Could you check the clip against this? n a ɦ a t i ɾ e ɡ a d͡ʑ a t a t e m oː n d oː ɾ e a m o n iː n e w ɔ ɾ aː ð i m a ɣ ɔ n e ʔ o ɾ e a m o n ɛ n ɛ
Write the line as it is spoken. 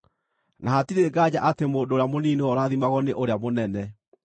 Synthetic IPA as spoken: n a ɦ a t i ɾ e ɡ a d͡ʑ a ʔ a t e m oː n d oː ɾ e a m o n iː n e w ɔ ɾ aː ð i m a ɣ ɔ n e ʔ o ɾ e a m o n ɛ n ɛ